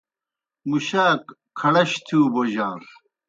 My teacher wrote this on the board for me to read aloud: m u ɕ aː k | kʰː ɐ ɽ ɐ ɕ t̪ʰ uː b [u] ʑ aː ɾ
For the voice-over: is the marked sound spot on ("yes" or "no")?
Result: no